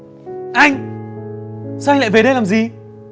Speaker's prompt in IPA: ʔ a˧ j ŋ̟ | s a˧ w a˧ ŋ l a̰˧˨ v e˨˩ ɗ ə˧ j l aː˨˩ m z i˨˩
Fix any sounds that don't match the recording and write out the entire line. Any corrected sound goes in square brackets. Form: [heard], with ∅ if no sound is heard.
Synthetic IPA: ʔ a˧ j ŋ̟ | s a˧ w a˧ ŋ l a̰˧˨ v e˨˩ ɗ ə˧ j l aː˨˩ m z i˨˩